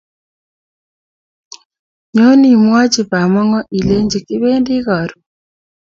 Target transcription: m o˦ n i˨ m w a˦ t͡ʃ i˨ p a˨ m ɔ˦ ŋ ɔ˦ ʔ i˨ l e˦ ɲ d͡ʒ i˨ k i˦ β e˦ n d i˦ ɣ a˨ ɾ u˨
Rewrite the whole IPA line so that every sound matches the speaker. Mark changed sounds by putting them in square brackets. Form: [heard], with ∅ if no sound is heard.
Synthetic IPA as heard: [ɲ] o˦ n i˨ m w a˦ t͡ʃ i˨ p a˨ m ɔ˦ ŋ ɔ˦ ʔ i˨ l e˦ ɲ d͡ʒ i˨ k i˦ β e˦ n d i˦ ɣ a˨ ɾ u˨